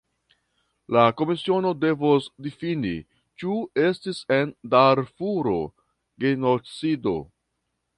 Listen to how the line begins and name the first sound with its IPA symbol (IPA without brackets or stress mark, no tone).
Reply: l